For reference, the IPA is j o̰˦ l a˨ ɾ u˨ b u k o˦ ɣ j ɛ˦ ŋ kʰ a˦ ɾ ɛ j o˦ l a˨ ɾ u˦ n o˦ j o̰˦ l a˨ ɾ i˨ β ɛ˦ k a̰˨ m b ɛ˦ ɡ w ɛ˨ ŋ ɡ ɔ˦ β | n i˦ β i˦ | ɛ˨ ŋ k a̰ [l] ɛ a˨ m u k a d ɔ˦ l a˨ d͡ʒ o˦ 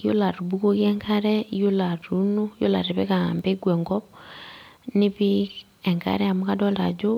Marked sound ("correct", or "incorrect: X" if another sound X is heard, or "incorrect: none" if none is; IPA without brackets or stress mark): incorrect: ɾ